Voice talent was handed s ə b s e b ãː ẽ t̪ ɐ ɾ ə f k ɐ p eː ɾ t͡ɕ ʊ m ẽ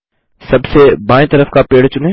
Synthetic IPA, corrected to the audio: s ɐ b s e b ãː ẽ t̪ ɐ ɾ ə f k a p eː ɽ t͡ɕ ʊ n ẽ